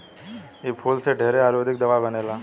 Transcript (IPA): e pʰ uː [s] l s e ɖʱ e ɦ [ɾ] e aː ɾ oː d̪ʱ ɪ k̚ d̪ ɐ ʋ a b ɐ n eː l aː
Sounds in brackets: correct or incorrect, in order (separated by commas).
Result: incorrect, correct